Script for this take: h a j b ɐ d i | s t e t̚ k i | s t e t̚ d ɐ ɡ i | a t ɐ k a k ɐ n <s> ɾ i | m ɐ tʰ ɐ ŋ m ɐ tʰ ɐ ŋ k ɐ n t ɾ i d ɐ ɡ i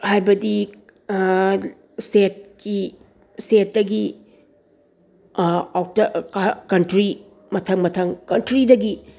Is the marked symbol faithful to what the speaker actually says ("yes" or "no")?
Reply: no